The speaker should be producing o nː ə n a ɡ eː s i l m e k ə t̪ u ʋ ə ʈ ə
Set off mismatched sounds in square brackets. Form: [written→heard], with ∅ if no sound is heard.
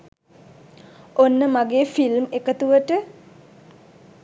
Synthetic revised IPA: o nː ə [n→m] a ɡ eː [s→f] i l m e k ə t̪ u ʋ ə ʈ ə